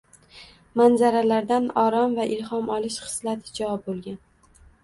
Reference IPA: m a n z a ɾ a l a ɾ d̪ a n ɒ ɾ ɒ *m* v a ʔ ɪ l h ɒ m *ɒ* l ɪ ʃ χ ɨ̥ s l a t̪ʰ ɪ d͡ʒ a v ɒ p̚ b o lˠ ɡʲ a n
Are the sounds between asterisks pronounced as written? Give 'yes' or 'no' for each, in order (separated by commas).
yes, yes